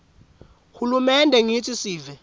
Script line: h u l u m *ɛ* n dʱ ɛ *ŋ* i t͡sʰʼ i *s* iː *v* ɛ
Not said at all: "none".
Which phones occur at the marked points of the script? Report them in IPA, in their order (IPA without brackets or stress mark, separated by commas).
ɛ, ŋ, s, v